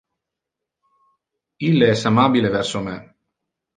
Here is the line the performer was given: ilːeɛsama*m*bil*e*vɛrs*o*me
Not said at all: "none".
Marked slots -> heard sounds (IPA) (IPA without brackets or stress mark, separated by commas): none, e, o